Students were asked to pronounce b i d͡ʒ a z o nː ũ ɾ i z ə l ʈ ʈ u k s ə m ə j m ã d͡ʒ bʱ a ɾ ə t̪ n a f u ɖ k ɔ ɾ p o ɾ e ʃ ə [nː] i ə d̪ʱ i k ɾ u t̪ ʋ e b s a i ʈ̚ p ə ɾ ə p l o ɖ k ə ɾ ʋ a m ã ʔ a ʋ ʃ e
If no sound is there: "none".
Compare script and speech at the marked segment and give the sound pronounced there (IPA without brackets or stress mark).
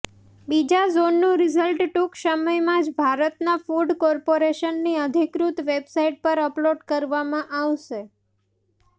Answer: nː